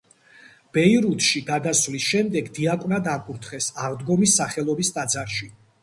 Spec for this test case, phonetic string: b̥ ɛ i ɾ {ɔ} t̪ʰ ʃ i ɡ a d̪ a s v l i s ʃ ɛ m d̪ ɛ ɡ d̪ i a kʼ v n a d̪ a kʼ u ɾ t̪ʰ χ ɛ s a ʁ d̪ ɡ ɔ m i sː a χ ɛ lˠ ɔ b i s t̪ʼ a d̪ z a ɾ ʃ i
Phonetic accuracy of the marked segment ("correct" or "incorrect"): incorrect